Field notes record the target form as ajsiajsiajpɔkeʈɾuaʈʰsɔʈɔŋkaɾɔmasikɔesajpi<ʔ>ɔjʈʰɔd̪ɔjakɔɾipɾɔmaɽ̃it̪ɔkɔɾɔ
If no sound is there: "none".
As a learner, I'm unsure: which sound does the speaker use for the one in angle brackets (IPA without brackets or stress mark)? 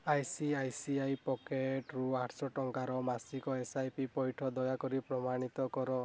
p